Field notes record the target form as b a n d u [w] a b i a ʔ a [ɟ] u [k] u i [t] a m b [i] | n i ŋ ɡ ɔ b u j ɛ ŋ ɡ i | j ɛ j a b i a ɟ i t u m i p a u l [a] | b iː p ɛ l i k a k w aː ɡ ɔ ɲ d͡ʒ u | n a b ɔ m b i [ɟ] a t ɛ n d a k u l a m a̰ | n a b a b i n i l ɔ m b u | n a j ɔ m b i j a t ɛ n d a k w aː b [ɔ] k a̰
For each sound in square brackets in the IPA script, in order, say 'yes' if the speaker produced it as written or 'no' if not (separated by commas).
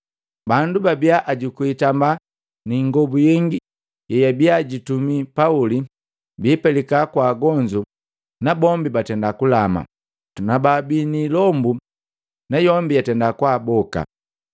no, yes, yes, yes, no, no, no, yes